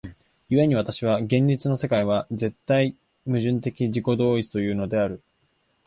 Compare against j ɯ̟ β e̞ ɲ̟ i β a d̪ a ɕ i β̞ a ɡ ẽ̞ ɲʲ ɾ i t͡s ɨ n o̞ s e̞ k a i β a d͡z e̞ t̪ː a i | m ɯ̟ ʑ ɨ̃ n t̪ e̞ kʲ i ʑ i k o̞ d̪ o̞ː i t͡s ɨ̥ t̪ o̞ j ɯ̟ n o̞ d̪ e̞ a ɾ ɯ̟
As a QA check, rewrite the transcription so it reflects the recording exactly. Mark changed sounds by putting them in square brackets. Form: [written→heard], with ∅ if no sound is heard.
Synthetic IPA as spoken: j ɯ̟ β e̞ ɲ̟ i β a [d̪→t̪] a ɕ i β̞ a ɡ ẽ̞ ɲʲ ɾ i t͡s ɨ n o̞ s e̞ k a i β a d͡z e̞ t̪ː a i | m ɯ̟ ʑ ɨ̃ n t̪ e̞ kʲ i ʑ i k o̞ d̪ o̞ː i t͡s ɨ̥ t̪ o̞ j [ɯ̟→ɯ̟ː] n o̞ d̪ e̞ a ɾ ɯ̟

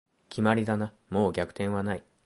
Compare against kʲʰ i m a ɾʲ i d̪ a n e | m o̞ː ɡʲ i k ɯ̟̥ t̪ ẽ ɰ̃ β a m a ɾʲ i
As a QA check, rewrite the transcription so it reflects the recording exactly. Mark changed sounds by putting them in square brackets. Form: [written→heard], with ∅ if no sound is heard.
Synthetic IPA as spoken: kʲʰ i m a ɾʲ i d̪ a n [e→a] | m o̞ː ɡʲ [i→a] k ɯ̟̥ t̪ ẽ ɰ̃ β a [m→n] a [ɾʲ→∅] i

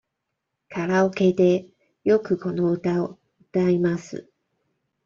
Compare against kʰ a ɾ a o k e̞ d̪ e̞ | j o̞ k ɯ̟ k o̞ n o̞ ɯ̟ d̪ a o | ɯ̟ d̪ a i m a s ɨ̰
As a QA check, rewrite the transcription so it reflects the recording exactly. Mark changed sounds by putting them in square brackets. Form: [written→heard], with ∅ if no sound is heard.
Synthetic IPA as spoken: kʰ a ɾ a o k e̞ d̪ e̞ | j o̞ k ɯ̟ k o̞ n o̞ ɯ̟ [d̪→t̪] a o | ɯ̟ [d̪→t̪] a i m a s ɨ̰

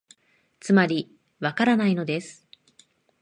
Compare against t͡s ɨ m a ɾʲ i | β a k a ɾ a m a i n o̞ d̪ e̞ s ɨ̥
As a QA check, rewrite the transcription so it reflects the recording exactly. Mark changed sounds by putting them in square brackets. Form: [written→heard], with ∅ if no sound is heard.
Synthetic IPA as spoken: t͡s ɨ m a ɾʲ i | β a k a ɾ a [m→n] a i n o̞ d̪ e̞ s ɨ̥

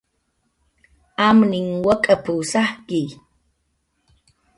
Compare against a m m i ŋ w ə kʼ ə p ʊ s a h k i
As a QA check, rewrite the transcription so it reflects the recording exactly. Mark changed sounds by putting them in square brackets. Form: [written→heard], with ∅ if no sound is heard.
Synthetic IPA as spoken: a m [m→n] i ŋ w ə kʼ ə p [ʊ→u] s a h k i

